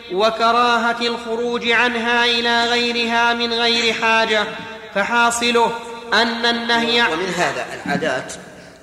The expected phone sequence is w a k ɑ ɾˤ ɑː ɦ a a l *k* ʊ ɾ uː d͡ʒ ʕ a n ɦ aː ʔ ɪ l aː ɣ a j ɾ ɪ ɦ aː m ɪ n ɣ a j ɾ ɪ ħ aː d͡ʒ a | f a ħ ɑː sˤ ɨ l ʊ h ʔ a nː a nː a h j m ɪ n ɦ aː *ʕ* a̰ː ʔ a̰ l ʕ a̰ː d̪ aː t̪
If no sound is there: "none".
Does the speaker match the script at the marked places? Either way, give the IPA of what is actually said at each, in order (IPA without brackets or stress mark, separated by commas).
x, ð